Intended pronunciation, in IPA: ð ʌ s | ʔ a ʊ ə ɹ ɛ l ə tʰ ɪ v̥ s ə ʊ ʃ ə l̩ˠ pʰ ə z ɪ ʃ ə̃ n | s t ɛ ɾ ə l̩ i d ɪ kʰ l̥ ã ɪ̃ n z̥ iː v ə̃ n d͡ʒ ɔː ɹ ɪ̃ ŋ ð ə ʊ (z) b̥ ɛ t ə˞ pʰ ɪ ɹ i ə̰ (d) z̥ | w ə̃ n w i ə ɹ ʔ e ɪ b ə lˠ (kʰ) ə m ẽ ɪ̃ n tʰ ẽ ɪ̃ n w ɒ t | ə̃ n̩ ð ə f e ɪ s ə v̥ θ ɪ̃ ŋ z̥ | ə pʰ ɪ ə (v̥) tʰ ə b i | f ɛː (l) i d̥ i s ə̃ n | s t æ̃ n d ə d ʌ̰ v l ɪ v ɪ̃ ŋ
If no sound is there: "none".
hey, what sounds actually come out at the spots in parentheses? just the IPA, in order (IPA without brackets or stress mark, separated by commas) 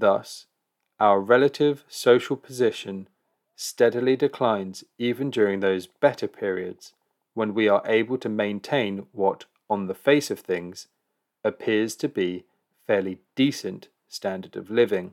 z, d, tʰ, z̥, l